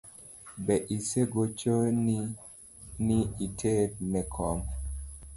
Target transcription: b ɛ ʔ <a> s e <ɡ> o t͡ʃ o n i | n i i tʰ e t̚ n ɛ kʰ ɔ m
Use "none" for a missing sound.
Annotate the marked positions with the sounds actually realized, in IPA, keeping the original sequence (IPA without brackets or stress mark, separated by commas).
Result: i, ɡ